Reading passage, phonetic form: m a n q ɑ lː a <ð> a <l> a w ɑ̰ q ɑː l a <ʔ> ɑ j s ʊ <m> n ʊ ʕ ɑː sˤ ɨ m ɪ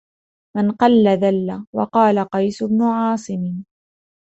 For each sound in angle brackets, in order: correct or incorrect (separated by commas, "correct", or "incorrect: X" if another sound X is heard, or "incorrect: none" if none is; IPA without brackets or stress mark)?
correct, incorrect: lː, incorrect: q, incorrect: b